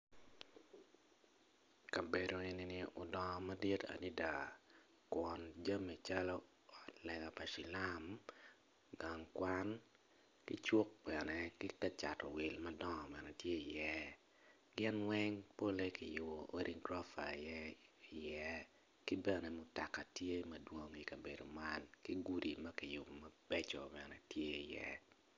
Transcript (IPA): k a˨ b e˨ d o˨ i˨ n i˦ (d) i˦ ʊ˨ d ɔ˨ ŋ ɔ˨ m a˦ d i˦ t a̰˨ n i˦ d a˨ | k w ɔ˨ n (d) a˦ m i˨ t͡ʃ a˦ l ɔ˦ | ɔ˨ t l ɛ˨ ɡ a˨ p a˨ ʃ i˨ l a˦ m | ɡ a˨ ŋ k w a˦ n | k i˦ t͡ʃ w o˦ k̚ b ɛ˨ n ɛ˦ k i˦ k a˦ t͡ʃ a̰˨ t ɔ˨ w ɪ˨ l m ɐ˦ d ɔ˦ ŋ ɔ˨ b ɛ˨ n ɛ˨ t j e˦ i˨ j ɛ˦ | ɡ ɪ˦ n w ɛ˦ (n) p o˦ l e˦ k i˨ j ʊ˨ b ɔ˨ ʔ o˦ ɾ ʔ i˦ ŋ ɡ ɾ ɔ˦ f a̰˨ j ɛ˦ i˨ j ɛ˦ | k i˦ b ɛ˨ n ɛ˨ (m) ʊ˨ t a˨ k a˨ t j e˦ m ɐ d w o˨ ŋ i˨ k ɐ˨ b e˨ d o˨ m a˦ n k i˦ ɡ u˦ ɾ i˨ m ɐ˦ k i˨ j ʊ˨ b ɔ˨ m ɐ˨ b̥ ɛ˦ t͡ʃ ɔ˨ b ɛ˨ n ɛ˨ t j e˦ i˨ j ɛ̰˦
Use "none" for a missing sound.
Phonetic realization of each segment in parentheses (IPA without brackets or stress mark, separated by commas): n, d͡ʒ, ŋ, m